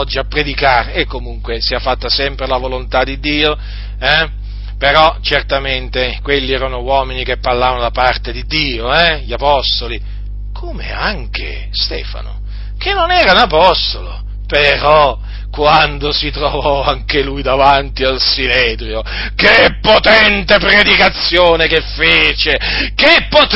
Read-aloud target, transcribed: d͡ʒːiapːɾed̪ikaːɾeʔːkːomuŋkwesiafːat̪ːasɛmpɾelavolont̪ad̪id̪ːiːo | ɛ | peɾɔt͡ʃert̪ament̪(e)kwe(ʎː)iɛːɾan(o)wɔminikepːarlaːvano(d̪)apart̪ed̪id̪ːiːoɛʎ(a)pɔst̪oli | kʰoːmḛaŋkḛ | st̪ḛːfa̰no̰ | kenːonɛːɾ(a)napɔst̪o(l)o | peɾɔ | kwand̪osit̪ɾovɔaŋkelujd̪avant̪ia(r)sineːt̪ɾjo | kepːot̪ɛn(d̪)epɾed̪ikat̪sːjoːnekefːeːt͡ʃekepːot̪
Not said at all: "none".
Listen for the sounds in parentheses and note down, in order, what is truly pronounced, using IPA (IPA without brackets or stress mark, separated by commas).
e, lː, o, d̪, a, a, l, l, t̪